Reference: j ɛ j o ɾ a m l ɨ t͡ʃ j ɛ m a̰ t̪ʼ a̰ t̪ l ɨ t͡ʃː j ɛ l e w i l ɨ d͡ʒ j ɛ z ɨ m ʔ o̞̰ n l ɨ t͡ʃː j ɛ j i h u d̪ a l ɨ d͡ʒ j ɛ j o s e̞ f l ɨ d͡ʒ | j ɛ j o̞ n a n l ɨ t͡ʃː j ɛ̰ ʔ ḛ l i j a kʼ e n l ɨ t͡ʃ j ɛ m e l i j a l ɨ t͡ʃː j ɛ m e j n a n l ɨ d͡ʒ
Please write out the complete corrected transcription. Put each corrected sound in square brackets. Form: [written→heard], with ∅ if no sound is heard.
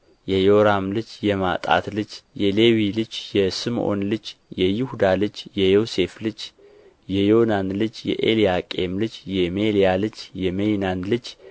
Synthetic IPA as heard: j ɛ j o ɾ a m l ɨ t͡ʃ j ɛ m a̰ t̪ʼ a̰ t̪ l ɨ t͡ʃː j ɛ l e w i l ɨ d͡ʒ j ɛ [z→s] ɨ m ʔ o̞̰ n l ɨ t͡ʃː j ɛ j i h u d̪ a l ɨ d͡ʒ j ɛ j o s e̞ f l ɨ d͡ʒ | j ɛ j o̞ n a n l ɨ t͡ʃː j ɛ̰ ʔ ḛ l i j a kʼ e [n→m] l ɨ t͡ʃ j ɛ m e l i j a l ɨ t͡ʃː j ɛ m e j n a n l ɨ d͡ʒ